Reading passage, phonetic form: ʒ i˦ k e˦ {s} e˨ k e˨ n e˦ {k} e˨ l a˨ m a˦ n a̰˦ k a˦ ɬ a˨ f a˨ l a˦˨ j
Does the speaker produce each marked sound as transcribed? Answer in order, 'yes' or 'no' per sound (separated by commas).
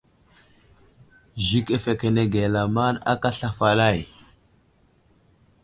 no, no